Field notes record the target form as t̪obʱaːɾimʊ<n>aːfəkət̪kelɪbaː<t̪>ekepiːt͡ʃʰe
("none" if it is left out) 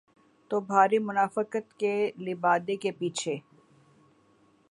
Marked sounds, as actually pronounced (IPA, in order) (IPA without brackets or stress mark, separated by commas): n, d̪